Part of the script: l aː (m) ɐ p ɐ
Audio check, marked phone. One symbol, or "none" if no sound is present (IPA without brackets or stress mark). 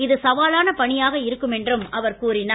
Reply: n